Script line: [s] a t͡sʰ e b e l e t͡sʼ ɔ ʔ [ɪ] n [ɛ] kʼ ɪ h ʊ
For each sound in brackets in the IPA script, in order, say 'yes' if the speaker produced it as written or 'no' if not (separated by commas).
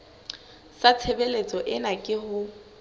yes, yes, no